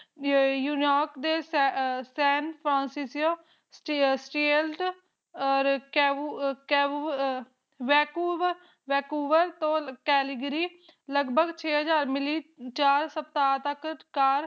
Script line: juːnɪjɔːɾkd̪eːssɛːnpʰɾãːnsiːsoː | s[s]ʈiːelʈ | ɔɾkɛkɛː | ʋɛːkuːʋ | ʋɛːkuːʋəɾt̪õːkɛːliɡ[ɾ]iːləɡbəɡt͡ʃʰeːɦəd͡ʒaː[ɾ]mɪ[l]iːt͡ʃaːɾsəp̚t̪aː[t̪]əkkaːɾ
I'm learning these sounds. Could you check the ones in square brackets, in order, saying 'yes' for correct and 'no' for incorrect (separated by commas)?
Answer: yes, yes, yes, yes, yes